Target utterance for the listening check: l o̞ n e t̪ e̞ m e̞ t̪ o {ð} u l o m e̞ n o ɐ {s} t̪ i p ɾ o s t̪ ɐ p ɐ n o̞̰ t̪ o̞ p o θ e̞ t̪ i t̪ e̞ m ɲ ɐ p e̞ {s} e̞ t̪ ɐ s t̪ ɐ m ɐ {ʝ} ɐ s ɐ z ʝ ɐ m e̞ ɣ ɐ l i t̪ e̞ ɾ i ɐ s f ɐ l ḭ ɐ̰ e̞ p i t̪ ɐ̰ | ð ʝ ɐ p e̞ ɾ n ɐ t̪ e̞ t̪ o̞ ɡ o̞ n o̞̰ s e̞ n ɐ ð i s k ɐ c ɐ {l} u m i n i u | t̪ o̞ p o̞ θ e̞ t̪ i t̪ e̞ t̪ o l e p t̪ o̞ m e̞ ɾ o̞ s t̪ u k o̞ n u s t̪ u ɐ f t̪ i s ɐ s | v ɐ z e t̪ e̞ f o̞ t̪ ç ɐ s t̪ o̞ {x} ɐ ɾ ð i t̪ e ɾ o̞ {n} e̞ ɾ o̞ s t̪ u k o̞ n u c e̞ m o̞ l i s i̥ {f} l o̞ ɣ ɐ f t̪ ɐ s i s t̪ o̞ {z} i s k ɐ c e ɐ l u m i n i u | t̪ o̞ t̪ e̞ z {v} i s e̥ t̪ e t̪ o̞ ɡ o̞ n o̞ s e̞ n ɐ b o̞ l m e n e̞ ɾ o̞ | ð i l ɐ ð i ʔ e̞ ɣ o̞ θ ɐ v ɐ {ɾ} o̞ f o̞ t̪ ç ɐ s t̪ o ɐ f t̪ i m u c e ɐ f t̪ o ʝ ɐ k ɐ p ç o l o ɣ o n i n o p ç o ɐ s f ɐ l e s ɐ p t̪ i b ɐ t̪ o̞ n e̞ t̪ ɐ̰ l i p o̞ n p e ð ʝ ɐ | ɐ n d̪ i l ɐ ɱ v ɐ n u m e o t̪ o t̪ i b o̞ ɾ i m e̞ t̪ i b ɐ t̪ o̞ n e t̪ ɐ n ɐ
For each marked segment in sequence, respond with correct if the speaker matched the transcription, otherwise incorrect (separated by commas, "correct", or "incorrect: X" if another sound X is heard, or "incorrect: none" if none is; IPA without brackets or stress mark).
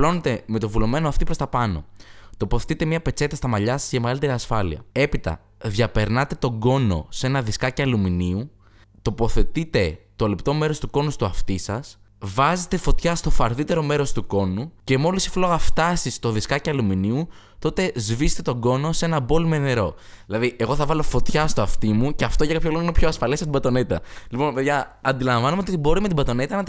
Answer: incorrect: v, incorrect: f, incorrect: t͡s, incorrect: ʎ, correct, incorrect: f, incorrect: m, correct, incorrect: ð, correct, incorrect: l